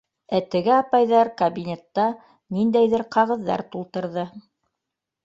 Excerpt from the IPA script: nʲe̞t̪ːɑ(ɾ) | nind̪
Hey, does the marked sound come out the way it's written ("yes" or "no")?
no